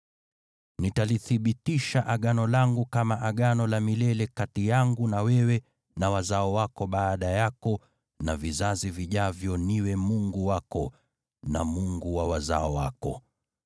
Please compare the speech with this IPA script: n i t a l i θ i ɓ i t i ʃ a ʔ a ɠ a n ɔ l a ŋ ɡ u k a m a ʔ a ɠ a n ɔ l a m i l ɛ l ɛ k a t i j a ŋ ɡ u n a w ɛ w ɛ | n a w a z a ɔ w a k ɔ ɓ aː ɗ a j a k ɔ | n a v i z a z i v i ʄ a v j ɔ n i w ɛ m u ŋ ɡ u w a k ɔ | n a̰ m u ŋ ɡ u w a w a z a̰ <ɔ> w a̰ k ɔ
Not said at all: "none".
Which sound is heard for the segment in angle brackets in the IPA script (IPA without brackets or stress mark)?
ɔ